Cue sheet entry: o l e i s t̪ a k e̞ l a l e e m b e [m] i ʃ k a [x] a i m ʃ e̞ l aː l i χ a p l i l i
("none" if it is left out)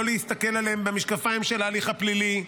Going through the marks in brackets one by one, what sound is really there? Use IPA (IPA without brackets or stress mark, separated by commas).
m, f